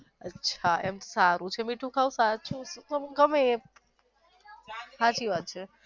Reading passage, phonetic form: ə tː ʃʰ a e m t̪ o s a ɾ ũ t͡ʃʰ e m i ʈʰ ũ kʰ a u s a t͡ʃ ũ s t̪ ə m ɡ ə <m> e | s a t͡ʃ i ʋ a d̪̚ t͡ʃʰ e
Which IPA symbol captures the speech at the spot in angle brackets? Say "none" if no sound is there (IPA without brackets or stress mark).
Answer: m